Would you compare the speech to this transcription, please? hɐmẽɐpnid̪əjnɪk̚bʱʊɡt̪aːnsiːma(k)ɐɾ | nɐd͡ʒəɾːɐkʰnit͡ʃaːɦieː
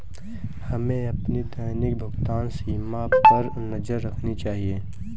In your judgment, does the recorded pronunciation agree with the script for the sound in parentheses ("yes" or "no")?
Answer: no